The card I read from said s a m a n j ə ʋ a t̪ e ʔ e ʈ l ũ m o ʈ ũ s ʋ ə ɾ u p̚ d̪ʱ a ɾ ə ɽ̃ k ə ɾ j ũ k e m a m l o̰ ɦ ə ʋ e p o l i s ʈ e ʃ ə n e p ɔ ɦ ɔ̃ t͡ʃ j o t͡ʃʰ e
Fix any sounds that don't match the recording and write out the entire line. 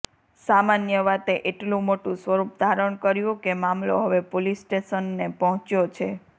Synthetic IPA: s a m a n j ə ʋ a t̪ e ʔ e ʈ l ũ m o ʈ ũ s ʋ ə ɾ u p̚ d̪ʱ a ɾ ə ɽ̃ k ə ɾ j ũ k e m a m l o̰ ɦ ə ʋ e p o l i s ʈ e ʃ ə nː e p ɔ ɦ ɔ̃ t͡ʃ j o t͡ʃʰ e